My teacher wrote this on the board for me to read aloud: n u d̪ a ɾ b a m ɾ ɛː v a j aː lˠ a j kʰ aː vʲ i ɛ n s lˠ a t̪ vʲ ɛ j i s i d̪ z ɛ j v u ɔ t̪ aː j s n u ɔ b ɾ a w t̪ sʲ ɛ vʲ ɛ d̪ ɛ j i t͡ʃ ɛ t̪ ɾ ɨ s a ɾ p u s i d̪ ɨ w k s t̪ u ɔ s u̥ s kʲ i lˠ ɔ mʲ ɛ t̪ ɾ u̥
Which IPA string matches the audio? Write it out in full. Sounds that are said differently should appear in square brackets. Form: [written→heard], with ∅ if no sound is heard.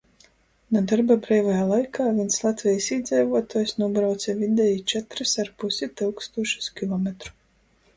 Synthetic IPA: n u d̪ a ɾ b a [m→b] ɾ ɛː v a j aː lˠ a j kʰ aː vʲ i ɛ n s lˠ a t̪ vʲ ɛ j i s i d̪ z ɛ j v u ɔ t̪ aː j s n u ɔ b ɾ a w t̪ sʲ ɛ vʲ [ɛ→i] d̪ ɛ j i t͡ʃ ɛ t̪ ɾ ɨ s a ɾ p u s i [d̪→t̪] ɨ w k s t̪ u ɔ [s→ʃ] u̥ s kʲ i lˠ ɔ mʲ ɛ t̪ ɾ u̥